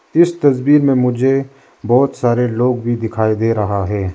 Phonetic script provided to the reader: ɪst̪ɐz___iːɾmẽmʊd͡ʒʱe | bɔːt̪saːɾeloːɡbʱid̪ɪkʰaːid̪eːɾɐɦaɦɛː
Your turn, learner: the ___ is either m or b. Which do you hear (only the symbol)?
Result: b